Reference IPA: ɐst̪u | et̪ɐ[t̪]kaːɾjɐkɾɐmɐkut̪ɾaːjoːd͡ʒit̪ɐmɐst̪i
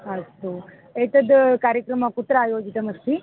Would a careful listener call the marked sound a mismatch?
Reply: yes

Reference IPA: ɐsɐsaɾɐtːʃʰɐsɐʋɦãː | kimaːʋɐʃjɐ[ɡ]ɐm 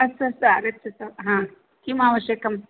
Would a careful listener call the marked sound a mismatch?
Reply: yes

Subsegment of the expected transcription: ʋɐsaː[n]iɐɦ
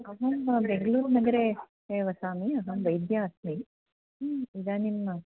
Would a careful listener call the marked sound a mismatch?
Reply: yes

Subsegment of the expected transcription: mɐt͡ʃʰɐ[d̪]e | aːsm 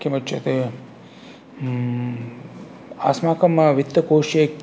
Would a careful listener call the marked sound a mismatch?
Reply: yes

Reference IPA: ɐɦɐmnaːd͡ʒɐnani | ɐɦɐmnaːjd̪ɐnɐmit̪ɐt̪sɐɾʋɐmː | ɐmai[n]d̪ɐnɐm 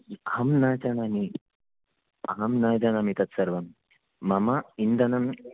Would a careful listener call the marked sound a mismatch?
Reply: no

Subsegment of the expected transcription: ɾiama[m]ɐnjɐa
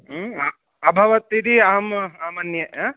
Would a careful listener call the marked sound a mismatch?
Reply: no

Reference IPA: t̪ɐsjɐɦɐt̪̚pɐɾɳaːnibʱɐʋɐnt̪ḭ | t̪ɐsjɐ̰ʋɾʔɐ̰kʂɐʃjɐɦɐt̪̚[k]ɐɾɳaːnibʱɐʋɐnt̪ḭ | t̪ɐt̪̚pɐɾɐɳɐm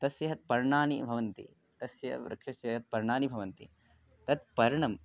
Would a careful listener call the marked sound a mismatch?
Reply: yes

